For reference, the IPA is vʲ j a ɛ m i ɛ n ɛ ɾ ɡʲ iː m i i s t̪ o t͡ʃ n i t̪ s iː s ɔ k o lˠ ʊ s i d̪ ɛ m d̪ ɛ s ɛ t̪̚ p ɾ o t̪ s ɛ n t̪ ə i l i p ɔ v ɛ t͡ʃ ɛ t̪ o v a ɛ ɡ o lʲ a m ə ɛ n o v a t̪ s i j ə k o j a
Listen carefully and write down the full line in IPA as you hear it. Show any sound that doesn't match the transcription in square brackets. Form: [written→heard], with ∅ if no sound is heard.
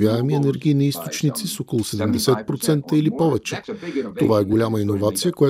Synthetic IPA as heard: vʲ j a ɛ m i ɛ n ɛ ɾ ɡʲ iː [m→n] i i s t̪ o t͡ʃ n i t̪ s [iː→i] s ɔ k o lˠ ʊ s [i→ɛ] d̪ ɛ m d̪ ɛ s ɛ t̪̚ p ɾ o t̪ s ɛ n t̪ ə i l i p ɔ v ɛ t͡ʃ ɛ t̪ o v a ɛ ɡ o lʲ a m ə [ɛ→i] n o v a t̪ s i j ə k o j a